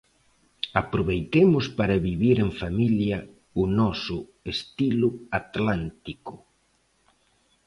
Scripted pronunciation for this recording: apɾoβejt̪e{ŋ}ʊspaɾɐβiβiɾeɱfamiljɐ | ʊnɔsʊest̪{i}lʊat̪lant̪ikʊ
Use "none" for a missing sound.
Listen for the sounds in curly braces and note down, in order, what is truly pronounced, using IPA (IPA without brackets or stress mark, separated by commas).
m, i